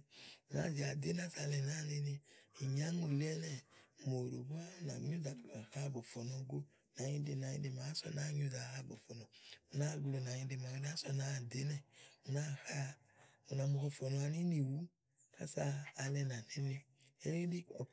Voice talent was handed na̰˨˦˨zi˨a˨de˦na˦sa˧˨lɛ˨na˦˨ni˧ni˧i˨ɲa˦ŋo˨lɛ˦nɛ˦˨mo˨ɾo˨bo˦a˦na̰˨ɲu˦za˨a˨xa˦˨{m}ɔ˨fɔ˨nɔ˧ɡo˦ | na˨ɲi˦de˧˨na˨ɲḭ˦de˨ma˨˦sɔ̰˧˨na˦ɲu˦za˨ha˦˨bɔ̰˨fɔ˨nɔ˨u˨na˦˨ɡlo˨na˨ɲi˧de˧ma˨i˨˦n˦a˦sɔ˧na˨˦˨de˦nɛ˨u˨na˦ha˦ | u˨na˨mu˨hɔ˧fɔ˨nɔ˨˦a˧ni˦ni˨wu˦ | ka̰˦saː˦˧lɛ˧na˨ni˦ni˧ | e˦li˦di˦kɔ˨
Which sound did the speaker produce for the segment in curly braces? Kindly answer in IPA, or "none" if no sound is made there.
b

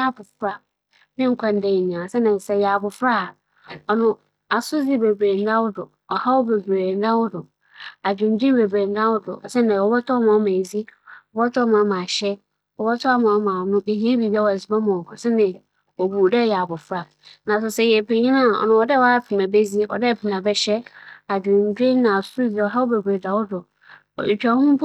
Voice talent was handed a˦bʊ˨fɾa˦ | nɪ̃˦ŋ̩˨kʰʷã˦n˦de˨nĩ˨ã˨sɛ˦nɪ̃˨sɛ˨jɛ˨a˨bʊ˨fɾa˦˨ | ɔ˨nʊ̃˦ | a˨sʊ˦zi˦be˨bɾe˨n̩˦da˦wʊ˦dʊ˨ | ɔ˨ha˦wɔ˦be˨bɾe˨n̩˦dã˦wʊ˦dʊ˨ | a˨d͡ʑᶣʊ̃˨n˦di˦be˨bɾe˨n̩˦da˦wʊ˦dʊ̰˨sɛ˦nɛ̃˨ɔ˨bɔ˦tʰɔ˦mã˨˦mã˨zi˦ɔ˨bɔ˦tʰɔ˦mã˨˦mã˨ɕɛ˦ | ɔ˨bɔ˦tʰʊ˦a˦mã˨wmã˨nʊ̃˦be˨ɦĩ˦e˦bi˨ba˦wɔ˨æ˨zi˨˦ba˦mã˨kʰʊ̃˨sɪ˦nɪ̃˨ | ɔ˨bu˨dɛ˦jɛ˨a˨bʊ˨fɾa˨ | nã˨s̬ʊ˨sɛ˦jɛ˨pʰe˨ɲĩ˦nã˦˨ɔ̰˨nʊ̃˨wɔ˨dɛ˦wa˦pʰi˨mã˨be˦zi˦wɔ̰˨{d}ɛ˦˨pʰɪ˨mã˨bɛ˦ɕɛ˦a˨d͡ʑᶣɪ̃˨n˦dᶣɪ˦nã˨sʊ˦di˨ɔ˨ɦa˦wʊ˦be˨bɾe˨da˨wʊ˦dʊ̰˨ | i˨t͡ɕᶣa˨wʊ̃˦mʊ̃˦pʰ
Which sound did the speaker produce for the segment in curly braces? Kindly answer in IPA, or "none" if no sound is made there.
d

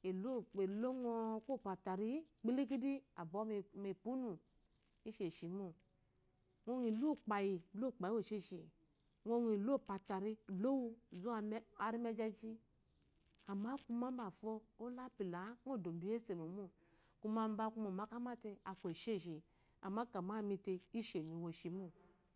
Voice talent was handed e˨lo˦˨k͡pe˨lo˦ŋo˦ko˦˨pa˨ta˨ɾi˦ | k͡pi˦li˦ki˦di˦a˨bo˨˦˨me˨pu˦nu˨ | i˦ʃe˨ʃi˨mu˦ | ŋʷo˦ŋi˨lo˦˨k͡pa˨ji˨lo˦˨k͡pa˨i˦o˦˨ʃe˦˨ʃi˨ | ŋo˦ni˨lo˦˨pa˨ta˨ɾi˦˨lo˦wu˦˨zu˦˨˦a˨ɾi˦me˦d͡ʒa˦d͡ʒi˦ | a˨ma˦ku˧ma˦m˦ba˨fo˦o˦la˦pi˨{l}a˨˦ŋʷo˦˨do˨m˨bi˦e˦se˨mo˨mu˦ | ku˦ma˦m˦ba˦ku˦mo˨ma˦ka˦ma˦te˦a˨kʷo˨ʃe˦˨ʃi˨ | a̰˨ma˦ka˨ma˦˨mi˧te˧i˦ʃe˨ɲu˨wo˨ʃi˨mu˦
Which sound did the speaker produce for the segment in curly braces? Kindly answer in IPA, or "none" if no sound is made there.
l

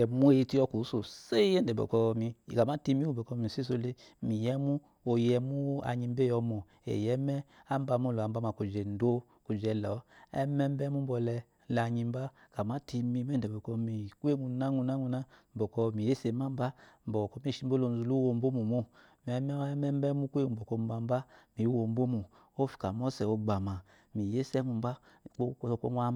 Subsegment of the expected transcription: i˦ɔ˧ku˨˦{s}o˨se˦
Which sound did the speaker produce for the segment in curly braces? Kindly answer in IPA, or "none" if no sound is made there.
s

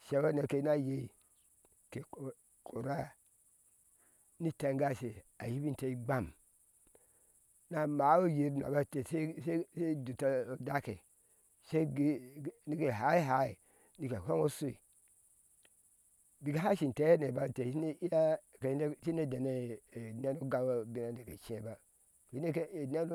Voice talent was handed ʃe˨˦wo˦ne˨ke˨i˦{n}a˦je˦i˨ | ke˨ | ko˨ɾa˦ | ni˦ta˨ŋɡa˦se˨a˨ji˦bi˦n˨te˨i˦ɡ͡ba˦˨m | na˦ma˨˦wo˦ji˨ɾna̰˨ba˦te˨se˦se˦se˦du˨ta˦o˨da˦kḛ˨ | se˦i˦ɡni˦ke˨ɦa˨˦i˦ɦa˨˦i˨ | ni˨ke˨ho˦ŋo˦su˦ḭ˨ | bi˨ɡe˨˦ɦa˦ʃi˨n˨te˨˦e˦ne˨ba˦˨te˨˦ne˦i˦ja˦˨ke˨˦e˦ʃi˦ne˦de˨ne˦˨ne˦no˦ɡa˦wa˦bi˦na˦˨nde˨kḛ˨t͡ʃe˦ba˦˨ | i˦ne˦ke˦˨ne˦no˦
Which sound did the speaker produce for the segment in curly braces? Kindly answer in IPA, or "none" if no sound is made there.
n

